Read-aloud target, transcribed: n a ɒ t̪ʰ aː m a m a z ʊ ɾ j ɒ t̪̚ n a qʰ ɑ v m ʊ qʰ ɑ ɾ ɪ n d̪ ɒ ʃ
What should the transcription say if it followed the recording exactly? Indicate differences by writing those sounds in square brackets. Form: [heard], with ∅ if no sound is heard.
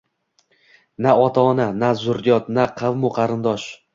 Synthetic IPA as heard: n a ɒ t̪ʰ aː [n] a [n] a z ʊ ɾ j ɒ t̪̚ n a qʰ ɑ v m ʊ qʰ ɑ ɾ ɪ n d̪ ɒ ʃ